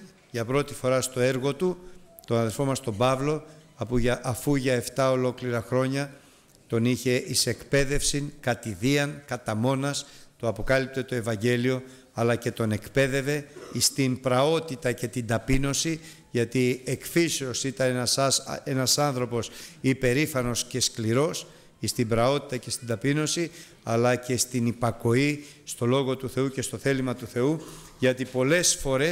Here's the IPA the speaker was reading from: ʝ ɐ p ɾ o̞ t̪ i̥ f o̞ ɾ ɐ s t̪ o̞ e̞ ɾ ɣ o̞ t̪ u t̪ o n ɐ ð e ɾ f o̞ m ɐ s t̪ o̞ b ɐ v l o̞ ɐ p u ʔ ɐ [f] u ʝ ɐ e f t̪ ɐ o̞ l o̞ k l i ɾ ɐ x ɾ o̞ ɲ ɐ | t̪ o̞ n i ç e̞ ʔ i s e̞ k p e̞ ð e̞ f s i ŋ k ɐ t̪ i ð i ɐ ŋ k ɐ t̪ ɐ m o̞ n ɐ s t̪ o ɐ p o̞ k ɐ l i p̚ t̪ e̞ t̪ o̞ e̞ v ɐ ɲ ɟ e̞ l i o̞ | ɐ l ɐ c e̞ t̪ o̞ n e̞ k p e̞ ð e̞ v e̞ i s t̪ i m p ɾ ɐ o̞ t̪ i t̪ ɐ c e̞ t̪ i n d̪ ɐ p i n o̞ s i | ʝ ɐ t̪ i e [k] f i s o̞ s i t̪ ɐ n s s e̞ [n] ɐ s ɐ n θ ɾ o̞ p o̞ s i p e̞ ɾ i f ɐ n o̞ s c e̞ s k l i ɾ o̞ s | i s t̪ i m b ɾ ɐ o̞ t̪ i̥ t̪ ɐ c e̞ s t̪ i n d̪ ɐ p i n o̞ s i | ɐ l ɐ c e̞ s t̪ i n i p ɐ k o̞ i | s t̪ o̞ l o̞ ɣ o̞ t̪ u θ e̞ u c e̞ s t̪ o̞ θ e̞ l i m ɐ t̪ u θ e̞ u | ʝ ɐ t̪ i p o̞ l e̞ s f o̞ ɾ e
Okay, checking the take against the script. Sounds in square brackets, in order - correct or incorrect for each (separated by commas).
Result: correct, correct, correct